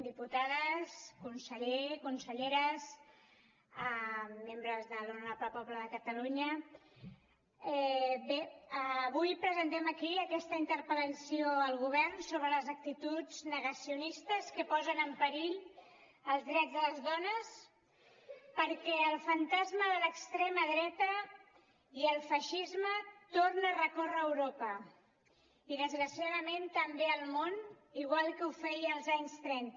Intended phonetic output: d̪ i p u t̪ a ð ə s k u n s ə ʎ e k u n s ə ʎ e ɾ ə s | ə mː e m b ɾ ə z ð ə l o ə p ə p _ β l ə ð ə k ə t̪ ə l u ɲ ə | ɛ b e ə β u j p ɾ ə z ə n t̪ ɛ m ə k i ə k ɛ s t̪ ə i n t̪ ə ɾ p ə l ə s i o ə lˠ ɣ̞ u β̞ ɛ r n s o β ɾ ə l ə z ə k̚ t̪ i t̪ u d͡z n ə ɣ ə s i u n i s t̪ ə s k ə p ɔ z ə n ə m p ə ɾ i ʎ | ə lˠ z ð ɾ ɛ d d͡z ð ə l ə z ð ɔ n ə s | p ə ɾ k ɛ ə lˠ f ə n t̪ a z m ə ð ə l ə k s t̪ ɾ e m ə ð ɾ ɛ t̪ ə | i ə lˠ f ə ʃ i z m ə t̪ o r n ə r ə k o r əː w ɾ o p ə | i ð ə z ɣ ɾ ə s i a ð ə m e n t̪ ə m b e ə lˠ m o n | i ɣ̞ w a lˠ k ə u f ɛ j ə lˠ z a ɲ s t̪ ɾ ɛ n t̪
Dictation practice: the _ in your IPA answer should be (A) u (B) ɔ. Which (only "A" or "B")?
B